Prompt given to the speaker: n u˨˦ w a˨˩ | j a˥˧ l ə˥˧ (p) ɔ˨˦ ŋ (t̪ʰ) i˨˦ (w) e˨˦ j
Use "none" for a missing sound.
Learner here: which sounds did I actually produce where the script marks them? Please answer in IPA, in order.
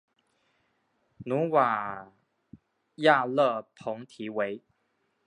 pʰ, t̪ʰ, w

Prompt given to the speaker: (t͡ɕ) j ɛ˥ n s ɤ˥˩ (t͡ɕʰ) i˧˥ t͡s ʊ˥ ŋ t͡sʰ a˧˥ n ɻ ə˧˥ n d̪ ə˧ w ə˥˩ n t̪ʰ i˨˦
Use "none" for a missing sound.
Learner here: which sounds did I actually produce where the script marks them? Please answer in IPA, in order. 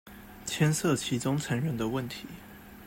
t͡ɕʰ, t͡ɕʰ

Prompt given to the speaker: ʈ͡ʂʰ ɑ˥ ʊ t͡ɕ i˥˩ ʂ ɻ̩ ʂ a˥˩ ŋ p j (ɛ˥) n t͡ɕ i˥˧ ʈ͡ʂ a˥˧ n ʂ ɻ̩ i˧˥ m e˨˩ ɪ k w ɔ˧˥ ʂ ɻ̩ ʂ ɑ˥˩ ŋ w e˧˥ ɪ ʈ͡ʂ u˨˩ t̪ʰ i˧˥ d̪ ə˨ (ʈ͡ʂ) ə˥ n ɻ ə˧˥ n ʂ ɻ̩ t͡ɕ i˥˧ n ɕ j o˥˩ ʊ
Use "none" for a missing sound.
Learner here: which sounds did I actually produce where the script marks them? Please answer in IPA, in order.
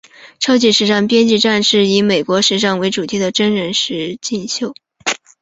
ɛ˥, ʈ͡ʂ

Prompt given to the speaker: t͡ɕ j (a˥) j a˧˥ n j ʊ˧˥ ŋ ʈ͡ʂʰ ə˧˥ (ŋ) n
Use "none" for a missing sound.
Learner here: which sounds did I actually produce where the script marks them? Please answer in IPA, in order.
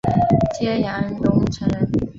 ɛ˥, none

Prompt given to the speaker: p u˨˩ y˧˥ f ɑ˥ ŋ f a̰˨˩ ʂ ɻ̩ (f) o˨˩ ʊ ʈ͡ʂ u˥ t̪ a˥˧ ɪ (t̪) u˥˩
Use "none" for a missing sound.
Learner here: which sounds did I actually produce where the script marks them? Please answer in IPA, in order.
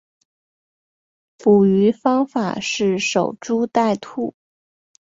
ʂ, t̪ʰ

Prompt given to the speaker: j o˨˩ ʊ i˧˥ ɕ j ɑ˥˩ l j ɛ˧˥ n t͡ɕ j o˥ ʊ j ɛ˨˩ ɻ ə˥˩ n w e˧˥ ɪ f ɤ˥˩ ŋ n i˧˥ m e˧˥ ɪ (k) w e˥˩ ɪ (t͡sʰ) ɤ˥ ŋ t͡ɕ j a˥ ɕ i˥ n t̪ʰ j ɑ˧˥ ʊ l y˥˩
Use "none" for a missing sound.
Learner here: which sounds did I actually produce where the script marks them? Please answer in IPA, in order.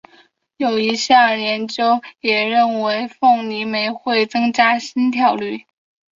x, t͡s

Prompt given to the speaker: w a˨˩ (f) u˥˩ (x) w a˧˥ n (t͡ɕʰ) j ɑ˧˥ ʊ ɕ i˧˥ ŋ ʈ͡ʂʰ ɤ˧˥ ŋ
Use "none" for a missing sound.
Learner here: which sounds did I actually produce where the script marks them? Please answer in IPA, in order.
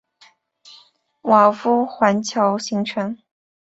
f, x, t͡ɕʰ

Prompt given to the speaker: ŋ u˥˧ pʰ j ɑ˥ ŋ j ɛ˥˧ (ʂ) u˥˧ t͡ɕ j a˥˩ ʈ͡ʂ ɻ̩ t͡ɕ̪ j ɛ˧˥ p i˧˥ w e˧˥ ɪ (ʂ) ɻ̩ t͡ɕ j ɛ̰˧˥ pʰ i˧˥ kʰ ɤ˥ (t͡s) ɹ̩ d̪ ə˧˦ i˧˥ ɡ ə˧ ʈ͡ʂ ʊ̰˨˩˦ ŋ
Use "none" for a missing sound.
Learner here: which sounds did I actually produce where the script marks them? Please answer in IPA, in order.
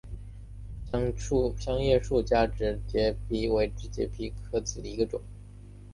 ʂ, ʈ͡ʂ, t͡s

